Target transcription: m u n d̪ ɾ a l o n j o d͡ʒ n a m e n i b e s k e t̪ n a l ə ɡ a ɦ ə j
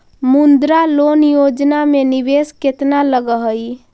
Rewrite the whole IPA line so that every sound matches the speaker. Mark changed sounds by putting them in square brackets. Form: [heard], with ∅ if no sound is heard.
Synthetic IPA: m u n d̪ ɾ a l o n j o d͡ʒ n a m e n i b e s k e t̪ n a l ə ɡ [ə] ɦ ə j